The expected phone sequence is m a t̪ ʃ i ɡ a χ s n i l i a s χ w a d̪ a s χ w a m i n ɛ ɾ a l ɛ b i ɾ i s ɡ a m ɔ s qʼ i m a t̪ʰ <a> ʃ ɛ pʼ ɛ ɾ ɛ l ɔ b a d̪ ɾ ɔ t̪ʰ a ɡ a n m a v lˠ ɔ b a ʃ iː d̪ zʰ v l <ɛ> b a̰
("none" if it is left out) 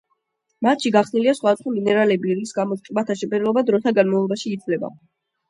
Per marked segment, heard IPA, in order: a, ɛ

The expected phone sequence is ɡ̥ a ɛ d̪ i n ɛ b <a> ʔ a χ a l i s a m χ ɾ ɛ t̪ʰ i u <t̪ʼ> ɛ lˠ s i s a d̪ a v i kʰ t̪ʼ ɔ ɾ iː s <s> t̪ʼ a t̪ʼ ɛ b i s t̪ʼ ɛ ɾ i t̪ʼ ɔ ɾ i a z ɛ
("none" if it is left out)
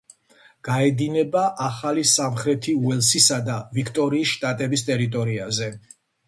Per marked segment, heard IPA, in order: a, none, ʃ

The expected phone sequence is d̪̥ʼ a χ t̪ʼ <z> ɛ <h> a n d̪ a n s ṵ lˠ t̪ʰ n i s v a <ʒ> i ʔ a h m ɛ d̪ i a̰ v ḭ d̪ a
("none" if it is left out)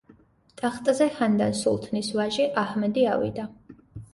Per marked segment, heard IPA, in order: z, h, ʒ

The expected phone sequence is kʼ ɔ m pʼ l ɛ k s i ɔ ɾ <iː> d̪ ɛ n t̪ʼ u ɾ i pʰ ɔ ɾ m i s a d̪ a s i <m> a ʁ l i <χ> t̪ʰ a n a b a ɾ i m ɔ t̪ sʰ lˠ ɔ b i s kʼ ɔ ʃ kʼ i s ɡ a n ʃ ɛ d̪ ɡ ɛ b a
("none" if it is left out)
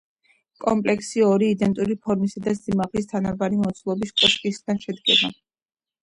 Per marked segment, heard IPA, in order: iː, m, s

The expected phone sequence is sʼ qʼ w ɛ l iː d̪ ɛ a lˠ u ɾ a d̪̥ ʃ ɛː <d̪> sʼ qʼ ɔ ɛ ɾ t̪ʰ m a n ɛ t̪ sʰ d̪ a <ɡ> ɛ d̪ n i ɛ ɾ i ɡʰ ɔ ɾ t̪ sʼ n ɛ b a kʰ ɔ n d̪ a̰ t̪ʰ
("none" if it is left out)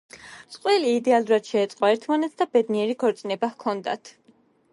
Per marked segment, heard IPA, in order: t̪, b

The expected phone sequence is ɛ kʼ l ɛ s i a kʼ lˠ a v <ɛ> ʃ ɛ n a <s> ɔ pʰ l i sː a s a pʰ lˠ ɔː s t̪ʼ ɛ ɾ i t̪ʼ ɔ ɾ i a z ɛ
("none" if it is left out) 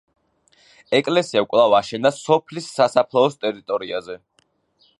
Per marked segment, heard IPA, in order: a, s

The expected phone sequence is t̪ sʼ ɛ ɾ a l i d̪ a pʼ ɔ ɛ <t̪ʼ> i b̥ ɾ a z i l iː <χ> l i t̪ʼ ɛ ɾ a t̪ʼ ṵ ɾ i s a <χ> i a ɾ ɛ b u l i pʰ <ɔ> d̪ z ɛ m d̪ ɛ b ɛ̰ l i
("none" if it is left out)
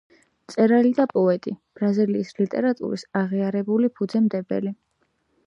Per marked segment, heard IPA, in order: t̪ʼ, s, ʁ, u

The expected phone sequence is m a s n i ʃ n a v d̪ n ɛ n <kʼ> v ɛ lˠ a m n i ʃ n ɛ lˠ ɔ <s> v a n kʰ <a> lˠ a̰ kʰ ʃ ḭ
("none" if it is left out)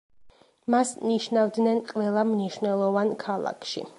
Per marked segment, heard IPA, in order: qʼ, none, a

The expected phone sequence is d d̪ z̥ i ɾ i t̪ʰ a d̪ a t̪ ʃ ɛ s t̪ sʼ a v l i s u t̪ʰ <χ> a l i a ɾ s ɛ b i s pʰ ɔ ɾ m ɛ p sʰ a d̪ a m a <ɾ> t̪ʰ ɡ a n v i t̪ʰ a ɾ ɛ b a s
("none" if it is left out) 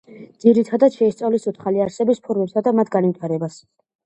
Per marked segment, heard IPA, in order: χ, none

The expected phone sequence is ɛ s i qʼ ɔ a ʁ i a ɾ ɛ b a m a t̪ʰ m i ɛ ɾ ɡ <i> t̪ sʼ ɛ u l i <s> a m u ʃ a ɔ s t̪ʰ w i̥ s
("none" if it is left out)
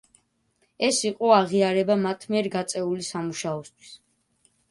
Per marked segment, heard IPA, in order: a, s

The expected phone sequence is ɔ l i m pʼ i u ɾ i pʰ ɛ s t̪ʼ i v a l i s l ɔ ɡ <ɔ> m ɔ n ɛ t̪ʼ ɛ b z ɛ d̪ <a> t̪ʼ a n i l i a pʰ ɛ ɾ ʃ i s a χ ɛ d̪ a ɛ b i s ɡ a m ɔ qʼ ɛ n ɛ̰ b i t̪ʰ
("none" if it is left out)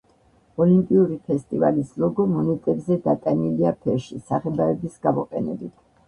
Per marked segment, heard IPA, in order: ɔ, a

